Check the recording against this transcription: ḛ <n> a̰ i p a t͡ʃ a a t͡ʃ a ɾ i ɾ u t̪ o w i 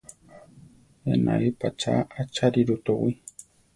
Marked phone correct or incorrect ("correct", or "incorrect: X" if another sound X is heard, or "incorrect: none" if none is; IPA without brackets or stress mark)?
correct